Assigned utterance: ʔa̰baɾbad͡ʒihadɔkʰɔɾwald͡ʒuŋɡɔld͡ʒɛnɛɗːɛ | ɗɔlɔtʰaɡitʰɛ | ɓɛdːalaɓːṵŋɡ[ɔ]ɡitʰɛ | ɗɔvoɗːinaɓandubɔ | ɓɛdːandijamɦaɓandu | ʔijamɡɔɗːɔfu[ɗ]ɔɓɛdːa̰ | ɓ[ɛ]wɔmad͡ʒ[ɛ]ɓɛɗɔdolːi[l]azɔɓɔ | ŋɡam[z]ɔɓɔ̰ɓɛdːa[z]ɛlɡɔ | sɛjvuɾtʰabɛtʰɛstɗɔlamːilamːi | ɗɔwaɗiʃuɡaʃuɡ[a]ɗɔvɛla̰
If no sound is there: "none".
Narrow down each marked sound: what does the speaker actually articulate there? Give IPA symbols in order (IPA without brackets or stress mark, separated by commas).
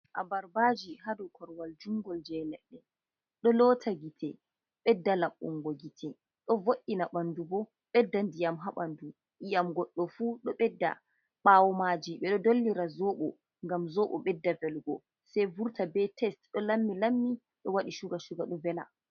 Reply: ɔ, ɗ, a, i, ɾ, z, v, a